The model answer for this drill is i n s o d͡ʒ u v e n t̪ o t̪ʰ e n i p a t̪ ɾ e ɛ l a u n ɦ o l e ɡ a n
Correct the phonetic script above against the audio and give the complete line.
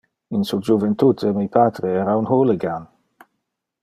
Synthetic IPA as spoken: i n s u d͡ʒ u v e n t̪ u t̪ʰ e m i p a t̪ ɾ e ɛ ɾ a u n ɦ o l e ɡ a n